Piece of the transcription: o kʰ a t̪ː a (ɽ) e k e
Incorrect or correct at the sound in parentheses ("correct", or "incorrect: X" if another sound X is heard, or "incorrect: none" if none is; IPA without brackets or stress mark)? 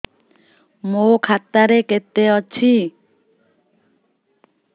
incorrect: ɾ